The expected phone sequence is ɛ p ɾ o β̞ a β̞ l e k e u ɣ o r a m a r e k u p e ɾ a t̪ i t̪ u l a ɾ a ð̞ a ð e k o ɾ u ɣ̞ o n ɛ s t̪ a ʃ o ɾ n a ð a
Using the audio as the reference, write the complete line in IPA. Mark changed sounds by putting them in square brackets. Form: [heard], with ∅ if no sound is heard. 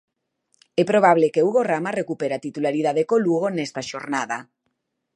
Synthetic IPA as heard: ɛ p ɾ o β̞ a β̞ l e k e u ɣ o r a m a r e k u p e ɾ a t̪ i t̪ u l a ɾ [i] ð̞ a ð e k o [l] u ɣ̞ o n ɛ s t̪ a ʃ o ɾ n a ð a